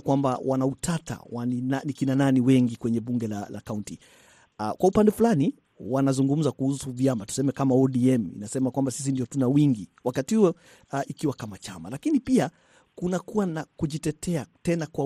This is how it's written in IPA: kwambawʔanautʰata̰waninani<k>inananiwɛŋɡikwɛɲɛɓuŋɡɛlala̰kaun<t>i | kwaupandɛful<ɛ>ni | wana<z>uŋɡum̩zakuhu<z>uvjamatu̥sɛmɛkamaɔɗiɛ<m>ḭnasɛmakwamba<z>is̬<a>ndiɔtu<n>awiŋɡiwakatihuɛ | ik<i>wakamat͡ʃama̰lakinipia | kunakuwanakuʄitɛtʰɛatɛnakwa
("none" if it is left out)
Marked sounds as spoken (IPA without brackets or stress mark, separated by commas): k, t, a, z, s, m, s, i, n, i